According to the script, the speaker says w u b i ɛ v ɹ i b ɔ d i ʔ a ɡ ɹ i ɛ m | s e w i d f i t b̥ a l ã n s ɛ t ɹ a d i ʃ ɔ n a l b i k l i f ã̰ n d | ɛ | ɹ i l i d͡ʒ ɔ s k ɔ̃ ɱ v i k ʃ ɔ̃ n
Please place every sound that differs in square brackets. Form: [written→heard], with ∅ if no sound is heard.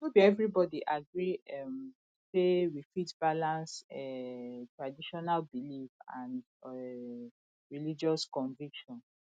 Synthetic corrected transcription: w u b i ɛ v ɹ i b ɔ d i ʔ a ɡ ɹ i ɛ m | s e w i [d→∅] f i t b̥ a l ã n s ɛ t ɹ a d i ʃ ɔ n a l b i [k→∅] l i f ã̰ n d | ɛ | ɹ i l i d͡ʒ ɔ s k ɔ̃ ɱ v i k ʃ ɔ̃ n